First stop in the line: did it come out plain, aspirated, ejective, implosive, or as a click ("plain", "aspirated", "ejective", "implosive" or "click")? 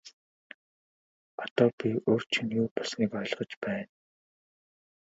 plain